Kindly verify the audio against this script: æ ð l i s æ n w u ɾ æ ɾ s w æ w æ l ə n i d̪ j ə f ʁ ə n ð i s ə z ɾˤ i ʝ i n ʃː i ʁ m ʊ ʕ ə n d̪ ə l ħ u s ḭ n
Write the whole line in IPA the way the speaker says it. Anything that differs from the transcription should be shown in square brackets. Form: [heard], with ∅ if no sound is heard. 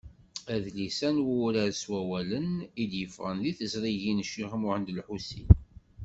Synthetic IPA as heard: æ ð l i s æ n w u ɾ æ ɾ s w æ w æ l ə n i d̪ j ə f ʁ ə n ð i [θ] ə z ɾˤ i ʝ i n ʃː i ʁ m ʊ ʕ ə n d̪ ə l ħ u s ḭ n